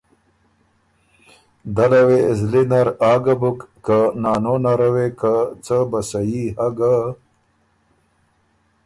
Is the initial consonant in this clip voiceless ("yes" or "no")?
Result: no